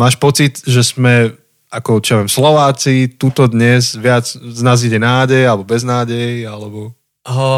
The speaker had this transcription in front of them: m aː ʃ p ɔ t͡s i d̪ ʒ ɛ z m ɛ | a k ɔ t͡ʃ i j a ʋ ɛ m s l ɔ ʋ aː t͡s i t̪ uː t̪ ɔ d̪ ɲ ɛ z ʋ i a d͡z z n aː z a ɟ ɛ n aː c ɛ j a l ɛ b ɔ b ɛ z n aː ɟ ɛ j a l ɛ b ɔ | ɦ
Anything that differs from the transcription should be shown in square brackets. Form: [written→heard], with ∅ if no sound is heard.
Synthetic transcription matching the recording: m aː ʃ p ɔ t͡s i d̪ ʒ ɛ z m ɛ | a k ɔ t͡ʃ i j a ʋ ɛ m s l ɔ ʋ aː t͡s i t̪ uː t̪ ɔ d̪ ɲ ɛ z ʋ [i→ɪ] a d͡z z n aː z [a→i] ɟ ɛ n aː [c→ɟ] ɛ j a l ɛ b ɔ b ɛ z n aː ɟ ɛ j a l ɛ b ɔ | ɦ